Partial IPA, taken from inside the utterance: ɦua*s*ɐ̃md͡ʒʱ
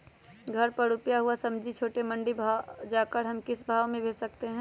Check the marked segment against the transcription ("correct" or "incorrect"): correct